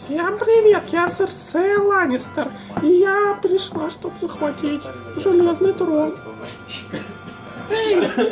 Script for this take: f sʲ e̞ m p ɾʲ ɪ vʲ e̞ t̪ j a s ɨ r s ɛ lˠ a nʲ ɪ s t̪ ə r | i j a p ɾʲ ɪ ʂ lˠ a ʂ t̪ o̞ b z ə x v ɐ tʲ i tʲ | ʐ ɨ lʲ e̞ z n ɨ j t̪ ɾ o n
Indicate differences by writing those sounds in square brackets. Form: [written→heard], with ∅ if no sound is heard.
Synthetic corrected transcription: f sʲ e̞ m p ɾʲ ɪ vʲ e̞ t̪ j a s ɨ r s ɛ lˠ a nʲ ɪ s t̪ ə r | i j a p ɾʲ ɪ ʂ lˠ a ʂ t̪ o̞ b z ə x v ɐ tʲ i tʲ | ʐ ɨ lʲ e̞ z n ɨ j t̪ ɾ o n